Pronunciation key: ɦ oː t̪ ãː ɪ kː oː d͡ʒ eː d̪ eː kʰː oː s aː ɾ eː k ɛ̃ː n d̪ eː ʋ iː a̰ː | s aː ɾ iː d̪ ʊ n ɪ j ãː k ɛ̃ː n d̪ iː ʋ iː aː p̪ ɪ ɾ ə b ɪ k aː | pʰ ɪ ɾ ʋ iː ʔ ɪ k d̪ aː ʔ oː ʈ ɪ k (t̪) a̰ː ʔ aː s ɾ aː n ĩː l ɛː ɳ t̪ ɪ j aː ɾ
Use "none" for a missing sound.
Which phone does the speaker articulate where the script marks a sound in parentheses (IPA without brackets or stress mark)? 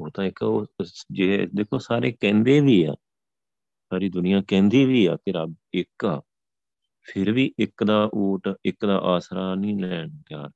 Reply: d̪